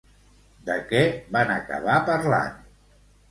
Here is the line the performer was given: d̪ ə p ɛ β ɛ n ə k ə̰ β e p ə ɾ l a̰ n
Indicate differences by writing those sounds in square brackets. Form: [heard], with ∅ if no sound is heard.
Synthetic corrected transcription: d̪ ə [k] ɛ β [a] n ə k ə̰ β [a] p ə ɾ l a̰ n